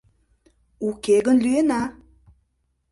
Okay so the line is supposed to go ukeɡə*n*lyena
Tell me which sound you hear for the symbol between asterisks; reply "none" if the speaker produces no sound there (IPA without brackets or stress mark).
n